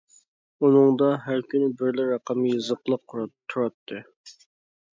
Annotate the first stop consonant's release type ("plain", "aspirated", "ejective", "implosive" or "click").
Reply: plain